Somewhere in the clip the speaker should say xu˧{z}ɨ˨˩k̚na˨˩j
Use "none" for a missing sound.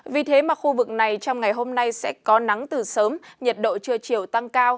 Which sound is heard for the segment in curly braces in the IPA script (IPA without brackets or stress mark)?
v